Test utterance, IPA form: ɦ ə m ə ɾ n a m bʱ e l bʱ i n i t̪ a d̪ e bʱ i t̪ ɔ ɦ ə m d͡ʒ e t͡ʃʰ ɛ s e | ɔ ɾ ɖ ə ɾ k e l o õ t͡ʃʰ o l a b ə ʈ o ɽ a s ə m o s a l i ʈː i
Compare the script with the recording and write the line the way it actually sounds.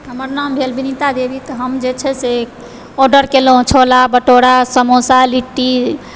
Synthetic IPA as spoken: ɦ ə m ə ɾ n a m bʱ e l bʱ i n i t̪ a d̪ e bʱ i t̪ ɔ ɦ ə m d͡ʒ e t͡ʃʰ ɛ s e | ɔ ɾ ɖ ə ɾ k e l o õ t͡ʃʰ o l a b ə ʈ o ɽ a s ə m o s a l i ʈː i